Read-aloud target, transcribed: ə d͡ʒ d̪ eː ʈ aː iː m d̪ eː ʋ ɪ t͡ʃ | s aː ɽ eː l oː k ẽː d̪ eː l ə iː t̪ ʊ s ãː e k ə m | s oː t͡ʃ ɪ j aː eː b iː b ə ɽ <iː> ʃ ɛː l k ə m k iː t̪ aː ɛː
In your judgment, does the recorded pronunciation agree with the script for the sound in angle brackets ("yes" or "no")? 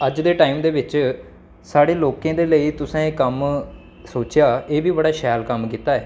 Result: no